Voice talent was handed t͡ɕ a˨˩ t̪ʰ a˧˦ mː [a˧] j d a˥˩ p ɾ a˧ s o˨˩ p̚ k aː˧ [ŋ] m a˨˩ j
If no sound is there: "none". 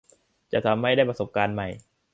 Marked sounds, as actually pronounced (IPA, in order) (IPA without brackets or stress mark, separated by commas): a˥˩, n